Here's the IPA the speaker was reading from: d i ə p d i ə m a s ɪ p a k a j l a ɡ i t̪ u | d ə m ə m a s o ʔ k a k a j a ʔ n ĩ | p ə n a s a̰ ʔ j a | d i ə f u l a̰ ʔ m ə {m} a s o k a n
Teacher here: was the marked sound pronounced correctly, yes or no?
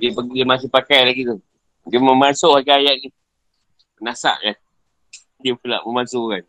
yes